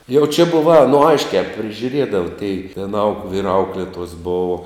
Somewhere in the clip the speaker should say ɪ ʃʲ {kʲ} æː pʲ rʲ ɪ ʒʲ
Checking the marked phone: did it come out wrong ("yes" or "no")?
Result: no